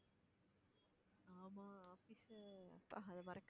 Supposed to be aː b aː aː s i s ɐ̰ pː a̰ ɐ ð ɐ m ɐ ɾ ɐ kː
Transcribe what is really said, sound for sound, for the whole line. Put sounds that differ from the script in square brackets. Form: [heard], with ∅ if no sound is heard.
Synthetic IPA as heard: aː [m] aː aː [f] i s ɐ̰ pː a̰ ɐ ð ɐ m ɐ ɾ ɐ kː